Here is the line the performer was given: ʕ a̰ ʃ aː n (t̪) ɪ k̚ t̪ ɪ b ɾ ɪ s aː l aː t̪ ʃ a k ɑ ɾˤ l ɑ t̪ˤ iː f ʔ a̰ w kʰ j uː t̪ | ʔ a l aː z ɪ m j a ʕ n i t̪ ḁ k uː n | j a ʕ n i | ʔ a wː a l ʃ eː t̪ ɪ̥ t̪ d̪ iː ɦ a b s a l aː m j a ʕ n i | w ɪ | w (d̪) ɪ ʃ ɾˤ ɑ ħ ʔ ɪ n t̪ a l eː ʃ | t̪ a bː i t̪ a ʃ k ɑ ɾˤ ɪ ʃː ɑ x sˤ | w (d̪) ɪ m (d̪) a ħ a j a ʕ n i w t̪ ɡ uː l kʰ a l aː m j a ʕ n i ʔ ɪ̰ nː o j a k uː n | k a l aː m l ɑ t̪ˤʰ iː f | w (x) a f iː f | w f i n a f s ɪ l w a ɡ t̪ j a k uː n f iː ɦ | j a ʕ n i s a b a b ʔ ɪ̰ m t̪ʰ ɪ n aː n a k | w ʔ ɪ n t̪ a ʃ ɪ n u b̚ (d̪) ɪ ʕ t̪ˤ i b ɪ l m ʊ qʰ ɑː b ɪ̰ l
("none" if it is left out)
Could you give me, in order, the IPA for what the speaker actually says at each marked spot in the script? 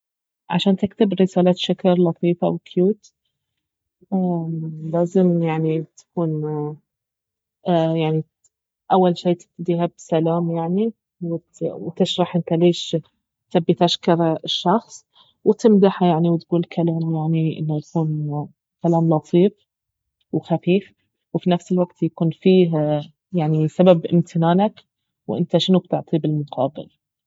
t̪, t̪, t̪, d̪, x, t̪

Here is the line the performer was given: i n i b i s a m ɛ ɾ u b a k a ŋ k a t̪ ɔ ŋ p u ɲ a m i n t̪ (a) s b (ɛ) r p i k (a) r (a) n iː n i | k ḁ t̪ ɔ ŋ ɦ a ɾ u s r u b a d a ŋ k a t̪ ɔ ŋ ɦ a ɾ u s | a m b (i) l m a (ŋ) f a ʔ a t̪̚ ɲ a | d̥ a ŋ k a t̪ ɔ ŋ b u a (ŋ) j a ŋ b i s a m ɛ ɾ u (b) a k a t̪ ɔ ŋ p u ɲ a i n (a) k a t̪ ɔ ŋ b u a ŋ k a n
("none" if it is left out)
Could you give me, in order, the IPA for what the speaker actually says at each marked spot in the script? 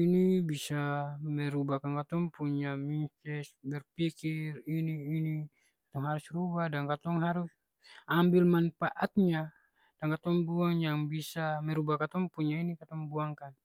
ɛ, ɛ, i, i, i, n, ŋ, b, i

